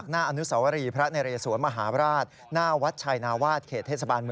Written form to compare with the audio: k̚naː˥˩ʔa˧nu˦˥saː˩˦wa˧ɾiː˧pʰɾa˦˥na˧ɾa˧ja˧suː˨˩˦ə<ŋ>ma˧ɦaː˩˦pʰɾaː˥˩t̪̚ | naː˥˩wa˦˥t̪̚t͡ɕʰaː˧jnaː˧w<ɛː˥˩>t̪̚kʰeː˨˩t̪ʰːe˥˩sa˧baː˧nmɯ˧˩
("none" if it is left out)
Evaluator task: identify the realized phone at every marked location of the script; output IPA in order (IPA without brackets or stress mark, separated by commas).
n, aː˥˩